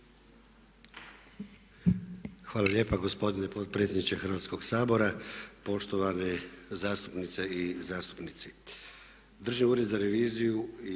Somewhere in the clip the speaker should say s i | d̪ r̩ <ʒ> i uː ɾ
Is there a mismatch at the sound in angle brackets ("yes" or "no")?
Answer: no